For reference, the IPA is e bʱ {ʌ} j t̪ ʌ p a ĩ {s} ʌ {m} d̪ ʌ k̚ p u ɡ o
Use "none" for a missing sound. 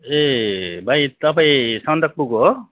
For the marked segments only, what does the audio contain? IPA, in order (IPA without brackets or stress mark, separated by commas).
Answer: a, s, n